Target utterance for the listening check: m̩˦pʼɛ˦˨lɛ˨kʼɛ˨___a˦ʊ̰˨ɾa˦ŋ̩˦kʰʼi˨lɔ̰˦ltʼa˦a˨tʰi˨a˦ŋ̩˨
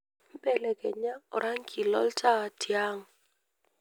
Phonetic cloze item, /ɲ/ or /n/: ɲ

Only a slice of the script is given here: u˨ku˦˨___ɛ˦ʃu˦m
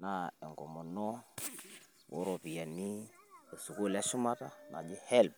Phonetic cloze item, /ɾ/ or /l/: l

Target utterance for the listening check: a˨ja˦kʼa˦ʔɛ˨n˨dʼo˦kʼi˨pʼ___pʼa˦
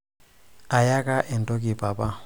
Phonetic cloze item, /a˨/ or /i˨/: a˨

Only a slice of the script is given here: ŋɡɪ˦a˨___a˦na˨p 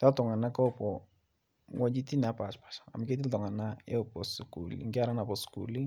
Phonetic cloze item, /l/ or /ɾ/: ɾ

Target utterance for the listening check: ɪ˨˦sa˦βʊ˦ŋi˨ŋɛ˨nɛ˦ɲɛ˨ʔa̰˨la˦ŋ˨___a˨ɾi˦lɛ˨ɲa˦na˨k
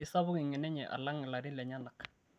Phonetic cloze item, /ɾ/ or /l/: l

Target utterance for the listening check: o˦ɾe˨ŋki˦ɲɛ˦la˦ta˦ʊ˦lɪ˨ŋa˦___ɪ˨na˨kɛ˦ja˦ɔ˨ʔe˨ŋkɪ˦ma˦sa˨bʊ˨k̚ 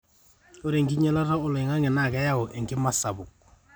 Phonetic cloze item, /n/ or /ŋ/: ŋ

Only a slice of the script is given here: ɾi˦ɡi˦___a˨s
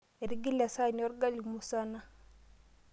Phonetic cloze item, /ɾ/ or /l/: l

